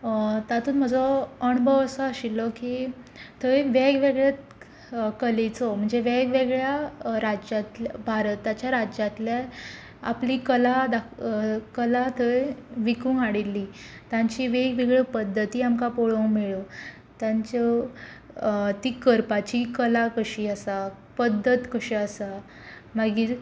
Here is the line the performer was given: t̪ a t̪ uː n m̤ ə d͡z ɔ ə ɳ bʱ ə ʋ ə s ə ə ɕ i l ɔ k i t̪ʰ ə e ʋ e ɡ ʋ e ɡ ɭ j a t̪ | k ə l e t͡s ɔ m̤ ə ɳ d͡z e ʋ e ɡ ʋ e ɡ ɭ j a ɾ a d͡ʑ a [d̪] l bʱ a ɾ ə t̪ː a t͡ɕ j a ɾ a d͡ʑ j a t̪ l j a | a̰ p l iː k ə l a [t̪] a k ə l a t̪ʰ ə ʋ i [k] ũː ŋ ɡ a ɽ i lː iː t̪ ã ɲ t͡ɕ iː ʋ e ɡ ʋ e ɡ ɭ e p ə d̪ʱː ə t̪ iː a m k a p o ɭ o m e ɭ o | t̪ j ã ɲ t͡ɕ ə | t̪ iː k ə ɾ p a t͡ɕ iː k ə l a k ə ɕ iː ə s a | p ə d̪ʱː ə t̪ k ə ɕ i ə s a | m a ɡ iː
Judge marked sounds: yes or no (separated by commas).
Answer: no, no, yes